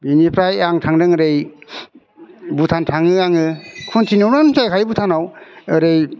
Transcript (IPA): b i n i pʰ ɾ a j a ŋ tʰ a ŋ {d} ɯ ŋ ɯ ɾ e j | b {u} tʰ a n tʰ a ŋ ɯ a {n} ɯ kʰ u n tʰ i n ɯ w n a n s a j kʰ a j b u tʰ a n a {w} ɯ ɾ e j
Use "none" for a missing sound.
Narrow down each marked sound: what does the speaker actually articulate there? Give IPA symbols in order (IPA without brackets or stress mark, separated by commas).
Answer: d, u, ŋ, w